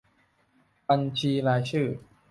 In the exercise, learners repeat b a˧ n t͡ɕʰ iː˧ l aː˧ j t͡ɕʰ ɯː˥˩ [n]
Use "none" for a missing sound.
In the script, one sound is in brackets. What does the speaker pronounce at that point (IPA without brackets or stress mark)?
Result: none